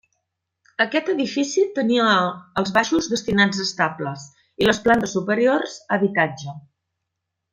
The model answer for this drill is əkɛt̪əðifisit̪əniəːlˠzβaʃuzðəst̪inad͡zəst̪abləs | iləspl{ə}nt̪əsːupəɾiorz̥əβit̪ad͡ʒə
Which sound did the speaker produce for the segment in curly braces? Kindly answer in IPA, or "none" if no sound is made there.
a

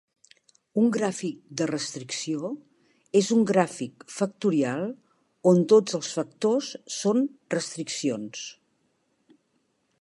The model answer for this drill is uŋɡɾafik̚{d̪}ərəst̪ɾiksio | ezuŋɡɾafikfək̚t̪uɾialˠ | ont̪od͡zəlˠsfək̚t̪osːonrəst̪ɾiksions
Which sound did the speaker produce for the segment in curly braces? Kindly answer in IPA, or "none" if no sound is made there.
d̪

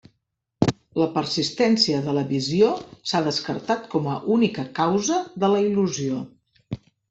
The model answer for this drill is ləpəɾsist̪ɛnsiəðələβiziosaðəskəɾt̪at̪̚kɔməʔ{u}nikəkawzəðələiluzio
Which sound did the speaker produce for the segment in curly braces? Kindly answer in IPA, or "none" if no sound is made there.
u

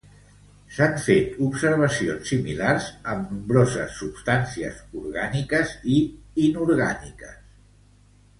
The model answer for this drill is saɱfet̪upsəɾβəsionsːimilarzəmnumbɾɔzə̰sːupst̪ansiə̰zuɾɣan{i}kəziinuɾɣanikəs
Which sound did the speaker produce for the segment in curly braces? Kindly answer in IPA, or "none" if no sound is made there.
i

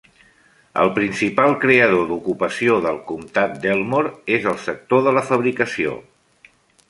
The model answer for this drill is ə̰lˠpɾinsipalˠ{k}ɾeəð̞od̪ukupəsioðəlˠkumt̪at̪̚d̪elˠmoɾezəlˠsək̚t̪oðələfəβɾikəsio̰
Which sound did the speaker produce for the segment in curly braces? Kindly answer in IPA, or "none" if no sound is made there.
k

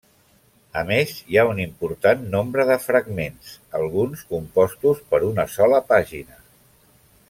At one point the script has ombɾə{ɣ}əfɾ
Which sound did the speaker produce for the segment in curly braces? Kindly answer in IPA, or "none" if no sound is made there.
ð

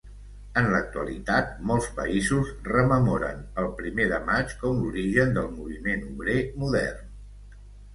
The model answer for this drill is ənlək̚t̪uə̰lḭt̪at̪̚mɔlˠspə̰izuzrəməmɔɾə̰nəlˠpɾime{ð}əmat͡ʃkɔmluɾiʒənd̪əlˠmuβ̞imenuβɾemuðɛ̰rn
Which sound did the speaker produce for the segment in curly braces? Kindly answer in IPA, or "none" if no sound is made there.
ð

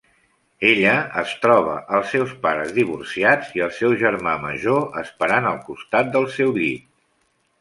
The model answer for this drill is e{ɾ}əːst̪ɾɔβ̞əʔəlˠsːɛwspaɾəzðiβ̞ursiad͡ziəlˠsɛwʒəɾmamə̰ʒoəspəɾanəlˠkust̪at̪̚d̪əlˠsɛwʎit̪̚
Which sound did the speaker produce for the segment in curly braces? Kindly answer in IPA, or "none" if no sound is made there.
ʎ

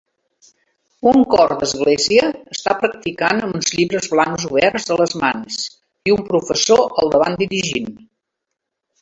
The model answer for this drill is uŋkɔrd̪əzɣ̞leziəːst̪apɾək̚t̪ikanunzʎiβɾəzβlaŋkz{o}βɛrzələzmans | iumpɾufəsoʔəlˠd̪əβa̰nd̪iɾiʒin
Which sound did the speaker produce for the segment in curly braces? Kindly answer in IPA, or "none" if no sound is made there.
u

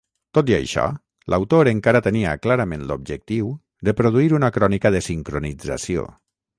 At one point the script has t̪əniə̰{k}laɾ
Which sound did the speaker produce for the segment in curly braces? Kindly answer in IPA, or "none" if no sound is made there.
k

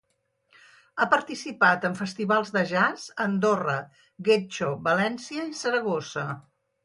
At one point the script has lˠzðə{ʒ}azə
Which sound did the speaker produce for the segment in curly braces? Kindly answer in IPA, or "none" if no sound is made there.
ʒ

